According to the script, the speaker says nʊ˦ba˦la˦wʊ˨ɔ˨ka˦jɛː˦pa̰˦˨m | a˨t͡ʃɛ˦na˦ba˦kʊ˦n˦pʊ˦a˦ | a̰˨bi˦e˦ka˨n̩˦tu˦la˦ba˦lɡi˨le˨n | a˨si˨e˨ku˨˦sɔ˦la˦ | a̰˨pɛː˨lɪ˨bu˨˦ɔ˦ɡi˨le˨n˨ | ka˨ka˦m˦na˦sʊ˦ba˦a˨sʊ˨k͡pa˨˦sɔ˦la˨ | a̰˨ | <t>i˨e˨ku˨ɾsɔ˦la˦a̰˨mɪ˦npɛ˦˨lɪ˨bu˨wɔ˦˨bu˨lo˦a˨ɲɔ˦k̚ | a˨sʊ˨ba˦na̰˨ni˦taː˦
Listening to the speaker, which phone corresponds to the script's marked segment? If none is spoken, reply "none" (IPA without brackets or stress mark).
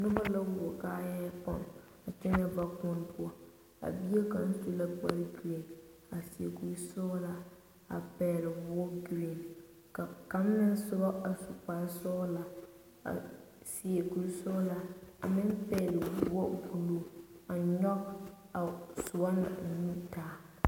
s